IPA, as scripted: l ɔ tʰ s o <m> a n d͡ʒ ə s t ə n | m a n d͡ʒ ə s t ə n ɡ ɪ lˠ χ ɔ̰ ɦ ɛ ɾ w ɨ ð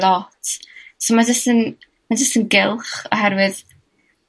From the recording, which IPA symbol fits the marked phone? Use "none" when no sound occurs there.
m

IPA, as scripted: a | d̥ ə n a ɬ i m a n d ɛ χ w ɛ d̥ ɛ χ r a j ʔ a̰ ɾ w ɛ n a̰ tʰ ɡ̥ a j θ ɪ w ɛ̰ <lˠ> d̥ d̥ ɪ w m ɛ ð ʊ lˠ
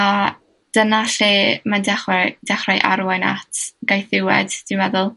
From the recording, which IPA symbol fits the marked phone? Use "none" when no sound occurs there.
none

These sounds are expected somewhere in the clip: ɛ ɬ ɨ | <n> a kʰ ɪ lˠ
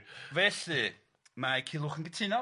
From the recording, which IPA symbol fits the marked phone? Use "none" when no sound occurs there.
m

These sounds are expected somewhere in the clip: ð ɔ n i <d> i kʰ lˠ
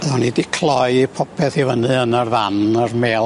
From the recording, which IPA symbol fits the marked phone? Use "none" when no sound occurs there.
d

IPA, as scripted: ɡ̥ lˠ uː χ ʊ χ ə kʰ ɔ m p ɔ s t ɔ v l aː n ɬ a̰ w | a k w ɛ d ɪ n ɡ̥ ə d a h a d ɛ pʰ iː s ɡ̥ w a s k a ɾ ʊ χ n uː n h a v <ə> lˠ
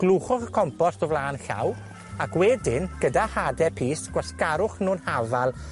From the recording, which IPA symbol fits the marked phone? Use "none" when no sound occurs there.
a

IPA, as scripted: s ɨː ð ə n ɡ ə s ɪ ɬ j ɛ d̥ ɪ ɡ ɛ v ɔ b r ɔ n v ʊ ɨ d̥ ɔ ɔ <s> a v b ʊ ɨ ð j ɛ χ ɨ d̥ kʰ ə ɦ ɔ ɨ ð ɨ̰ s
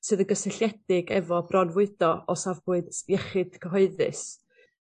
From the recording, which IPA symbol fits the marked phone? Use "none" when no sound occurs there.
s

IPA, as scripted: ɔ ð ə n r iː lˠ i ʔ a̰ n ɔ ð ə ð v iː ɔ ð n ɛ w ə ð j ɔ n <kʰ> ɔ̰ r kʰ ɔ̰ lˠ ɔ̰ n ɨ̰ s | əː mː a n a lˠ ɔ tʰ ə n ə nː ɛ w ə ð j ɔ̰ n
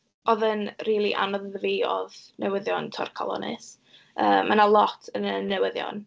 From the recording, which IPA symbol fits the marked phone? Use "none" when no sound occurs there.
tʰ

